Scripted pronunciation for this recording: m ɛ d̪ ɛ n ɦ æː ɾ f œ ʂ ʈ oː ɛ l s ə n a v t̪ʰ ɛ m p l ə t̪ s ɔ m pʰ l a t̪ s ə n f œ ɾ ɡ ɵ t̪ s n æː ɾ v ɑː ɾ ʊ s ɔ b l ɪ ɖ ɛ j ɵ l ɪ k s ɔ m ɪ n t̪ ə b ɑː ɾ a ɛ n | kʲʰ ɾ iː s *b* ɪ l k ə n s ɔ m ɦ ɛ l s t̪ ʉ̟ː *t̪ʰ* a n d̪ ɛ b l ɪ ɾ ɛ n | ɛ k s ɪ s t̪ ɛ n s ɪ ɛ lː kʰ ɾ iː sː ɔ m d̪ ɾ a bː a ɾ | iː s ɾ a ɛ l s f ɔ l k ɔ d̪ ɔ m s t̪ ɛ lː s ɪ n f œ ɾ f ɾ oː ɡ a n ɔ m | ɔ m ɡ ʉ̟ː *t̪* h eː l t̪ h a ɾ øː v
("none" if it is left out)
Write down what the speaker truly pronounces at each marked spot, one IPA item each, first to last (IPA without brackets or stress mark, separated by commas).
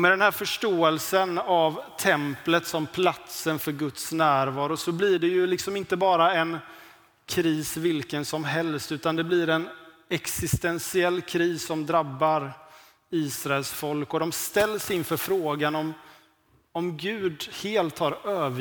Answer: v, t̪, d̪